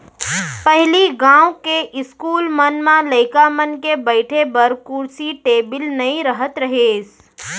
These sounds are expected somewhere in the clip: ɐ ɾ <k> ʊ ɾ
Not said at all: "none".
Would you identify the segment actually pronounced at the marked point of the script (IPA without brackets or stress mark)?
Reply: k